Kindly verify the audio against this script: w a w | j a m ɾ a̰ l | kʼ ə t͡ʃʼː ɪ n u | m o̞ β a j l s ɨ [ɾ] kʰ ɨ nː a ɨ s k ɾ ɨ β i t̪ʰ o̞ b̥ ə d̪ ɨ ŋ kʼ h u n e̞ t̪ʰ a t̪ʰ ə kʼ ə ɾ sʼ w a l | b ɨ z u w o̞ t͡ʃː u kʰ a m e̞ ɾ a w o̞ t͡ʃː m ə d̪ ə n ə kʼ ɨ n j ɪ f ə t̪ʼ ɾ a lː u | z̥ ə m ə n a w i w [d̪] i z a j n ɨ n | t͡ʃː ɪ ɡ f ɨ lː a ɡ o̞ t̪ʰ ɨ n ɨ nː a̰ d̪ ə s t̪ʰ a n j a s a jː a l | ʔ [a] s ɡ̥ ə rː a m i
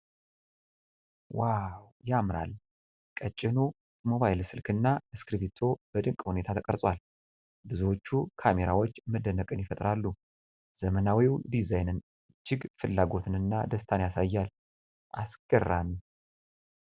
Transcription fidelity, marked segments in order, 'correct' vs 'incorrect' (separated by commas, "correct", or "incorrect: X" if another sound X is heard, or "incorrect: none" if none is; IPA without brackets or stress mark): incorrect: l, correct, correct